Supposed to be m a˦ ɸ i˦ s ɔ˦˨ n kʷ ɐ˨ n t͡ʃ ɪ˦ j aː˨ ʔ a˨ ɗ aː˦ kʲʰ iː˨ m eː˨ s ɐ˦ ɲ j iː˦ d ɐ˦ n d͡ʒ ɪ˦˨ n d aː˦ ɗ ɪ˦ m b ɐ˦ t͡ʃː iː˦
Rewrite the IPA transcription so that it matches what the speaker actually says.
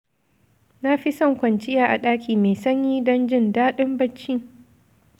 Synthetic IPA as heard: n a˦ ɸ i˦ s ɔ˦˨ ŋ kʷ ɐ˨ n t͡ʃ ɪ˦ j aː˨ ʔ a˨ ɗ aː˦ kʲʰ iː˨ m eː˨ s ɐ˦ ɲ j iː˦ d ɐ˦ n d͡ʒ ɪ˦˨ n d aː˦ ɗ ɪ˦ m b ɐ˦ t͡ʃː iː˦